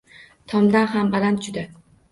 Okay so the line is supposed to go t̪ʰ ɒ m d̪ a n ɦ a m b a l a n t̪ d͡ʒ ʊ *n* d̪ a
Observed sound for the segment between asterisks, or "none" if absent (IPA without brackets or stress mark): none